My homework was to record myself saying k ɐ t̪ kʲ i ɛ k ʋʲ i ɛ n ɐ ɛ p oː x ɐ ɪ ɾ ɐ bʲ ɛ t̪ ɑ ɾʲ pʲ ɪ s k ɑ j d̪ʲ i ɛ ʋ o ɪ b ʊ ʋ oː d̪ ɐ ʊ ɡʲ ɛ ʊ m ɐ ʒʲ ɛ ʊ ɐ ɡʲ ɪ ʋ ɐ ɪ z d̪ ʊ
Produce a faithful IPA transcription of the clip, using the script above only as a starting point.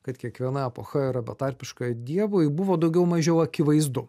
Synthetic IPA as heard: k ɐ t̪ kʲ i ɛ k ʋʲ i ɛ n ɐ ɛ p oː x ɐ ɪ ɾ ɐ bʲ ɛ t̪ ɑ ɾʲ pʲ ɪ ʃ k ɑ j d̪ʲ i ɛ ʋ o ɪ b ʊ ʋ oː d̪ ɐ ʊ ɡʲ ɛ ʊ m ɐ ʒʲ ɛ ʊ ɐ kʲ ɪ ʋ ɐ ɪ z d̪ ʊ